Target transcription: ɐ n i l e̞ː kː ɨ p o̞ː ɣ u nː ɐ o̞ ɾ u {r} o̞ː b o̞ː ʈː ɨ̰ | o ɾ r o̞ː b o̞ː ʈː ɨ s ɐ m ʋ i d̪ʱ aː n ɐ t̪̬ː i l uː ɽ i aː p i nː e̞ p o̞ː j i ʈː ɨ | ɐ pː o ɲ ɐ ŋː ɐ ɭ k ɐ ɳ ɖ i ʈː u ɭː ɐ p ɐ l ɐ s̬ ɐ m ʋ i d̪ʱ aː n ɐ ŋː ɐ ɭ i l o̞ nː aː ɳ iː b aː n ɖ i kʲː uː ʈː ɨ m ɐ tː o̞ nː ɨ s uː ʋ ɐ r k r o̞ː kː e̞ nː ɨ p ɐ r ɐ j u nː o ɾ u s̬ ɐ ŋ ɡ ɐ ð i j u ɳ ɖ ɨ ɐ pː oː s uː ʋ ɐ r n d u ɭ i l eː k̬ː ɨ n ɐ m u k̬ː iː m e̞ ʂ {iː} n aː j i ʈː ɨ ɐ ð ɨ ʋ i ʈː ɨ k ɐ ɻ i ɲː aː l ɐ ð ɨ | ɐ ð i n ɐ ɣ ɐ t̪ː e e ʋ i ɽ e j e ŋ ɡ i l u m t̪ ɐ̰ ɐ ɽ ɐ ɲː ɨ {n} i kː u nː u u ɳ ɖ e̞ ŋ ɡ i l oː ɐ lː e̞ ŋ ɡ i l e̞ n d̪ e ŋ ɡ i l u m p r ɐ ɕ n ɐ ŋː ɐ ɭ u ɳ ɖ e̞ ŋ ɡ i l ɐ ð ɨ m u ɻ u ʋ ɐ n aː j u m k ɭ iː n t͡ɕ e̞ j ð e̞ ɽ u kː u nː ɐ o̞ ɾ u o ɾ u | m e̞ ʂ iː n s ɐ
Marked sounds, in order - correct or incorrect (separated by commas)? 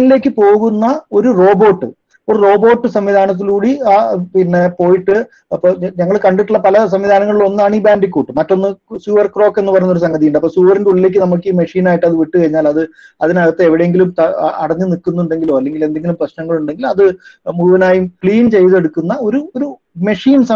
correct, correct, correct